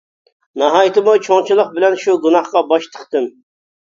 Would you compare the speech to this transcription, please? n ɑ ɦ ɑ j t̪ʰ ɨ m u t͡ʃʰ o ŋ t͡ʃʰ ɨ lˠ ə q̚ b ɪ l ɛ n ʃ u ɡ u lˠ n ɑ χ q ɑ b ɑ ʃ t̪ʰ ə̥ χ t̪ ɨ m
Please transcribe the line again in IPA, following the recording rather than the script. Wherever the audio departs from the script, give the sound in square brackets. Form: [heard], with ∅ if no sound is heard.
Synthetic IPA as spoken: n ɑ ɦ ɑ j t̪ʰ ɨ m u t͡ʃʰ o ŋ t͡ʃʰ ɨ lˠ ə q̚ b ɪ l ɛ n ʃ u ɡ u [∅] n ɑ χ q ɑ b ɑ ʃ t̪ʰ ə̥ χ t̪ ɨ m